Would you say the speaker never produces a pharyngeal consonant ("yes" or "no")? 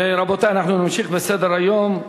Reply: no